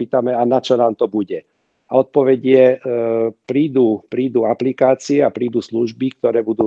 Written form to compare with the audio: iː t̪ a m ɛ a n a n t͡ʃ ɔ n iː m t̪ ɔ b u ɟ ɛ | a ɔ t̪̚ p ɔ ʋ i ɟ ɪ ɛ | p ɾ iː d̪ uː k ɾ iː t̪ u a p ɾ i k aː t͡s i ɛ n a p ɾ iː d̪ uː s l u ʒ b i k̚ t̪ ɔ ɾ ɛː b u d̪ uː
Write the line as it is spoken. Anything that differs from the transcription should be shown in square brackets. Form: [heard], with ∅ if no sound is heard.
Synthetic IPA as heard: iː t̪ a m ɛ a n a [∅] t͡ʃ ɔ n [aː] m t̪ ɔ b u ɟ ɛ | a ɔ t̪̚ p ɔ ʋ [ɛ] ɟ ɪ ɛ | p ɾ iː d̪ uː [p] ɾ iː [d̪] u a p [l] i k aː t͡s i ɛ [∅] a p ɾ iː d̪ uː s l u ʒ b i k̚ t̪ ɔ ɾ ɛː b u d̪ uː